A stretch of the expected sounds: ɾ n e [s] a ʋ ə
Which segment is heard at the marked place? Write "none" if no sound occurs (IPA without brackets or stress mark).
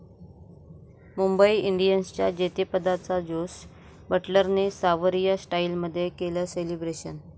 s